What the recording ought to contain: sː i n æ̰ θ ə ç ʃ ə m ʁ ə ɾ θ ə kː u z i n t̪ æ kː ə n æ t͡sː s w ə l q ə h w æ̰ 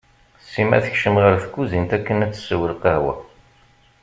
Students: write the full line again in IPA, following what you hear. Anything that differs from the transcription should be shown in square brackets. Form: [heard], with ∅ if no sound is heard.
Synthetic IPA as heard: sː i [m] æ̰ θ ə ç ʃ ə m ʁ ə ɾ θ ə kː u z i n t̪ æ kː ə n æ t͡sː s w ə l q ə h w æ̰